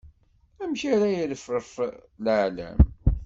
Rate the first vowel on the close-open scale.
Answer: open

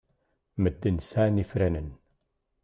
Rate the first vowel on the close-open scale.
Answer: mid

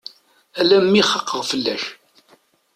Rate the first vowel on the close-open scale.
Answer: open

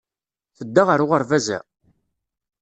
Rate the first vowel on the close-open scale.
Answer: mid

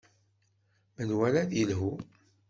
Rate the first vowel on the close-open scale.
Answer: mid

